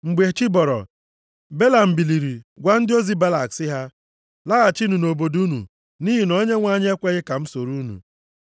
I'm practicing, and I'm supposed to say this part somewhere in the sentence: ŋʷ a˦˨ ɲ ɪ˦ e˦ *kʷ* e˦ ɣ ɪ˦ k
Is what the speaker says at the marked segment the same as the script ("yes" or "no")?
yes